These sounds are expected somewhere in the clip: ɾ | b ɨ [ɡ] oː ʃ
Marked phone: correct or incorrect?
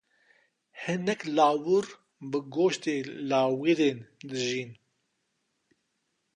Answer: correct